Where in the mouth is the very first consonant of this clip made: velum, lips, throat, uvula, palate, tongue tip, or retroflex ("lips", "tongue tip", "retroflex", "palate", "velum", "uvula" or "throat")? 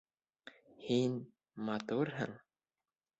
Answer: throat